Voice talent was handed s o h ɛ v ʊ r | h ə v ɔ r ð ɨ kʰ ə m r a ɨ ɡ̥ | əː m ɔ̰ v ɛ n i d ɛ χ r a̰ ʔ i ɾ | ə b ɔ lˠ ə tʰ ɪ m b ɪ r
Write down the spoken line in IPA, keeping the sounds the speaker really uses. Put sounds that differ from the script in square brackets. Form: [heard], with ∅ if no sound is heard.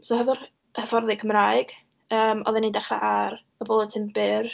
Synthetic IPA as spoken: s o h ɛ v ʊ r | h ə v ɔ r ð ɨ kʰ ə m r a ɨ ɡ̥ | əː m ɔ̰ [ð] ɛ n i d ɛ χ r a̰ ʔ [a] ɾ | ə b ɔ lˠ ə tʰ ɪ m b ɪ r